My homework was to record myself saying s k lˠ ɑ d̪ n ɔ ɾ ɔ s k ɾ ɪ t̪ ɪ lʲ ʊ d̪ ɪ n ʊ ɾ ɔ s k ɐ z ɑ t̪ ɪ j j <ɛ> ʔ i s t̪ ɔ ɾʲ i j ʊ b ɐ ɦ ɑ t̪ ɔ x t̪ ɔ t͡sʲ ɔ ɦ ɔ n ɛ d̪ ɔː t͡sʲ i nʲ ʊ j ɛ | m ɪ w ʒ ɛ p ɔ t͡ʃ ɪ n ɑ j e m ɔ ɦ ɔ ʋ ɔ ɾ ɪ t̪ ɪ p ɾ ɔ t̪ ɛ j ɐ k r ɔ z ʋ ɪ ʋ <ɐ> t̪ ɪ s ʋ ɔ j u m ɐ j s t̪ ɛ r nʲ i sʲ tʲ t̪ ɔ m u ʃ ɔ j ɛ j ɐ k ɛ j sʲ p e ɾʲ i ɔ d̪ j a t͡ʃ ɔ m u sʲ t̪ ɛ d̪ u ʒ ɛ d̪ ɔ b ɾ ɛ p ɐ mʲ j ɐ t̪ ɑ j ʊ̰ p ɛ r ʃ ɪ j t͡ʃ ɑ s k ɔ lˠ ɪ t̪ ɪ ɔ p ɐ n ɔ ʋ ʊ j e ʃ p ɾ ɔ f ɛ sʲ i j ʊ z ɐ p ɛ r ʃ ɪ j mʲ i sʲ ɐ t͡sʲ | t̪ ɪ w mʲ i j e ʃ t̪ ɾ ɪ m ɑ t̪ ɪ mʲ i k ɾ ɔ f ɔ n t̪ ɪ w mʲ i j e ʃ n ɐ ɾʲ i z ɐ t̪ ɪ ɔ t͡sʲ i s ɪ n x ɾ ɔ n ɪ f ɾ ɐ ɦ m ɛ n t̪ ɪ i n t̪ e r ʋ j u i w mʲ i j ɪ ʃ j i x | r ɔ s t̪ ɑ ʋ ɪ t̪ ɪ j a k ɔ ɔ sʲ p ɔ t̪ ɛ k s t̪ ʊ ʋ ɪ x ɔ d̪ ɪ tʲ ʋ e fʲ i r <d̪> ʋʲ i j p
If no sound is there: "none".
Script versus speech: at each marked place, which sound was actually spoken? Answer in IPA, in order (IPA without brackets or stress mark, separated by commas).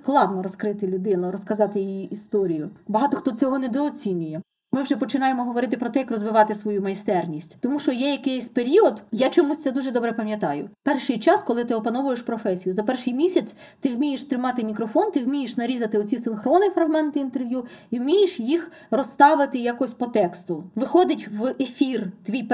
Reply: i, ɑ, t̪